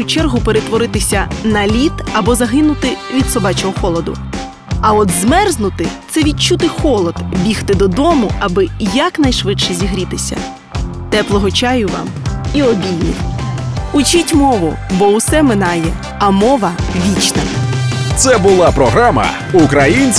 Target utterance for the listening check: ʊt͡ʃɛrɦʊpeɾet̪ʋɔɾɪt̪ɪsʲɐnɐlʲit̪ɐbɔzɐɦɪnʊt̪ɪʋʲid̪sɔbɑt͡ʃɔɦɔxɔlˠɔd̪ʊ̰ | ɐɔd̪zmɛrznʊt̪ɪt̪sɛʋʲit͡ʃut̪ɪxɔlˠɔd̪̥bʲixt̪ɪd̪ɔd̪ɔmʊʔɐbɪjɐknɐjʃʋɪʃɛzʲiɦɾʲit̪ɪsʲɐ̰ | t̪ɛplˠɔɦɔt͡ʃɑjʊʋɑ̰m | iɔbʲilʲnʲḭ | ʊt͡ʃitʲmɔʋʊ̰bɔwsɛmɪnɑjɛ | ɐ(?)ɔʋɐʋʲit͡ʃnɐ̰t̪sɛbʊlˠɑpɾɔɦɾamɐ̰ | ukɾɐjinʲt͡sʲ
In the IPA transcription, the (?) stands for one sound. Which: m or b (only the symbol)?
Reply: m